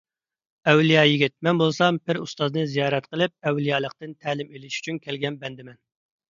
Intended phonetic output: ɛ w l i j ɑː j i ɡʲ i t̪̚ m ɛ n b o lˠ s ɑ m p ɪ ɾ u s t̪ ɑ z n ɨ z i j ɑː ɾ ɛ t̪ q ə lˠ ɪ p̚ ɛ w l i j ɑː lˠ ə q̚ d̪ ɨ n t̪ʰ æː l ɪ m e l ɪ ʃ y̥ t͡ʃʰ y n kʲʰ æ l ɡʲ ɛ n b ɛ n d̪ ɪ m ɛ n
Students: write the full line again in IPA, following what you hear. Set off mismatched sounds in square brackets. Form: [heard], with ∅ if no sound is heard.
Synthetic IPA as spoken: ɛ w l i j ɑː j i ɡʲ i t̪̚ m ɛ n b o lˠ s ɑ m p ɪ ɾ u s t̪ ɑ z n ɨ z i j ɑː ɾ ɛ t̪ q ə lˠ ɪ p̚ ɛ w l i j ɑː lˠ ə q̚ [t̪] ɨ n t̪ʰ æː l ɪ m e l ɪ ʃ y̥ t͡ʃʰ y n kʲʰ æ l ɡʲ ɛ n b ɛ n d̪ ɪ m ɛ n